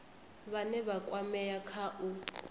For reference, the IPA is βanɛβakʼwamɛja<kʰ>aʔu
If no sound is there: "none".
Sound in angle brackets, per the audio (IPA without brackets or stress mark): kʰ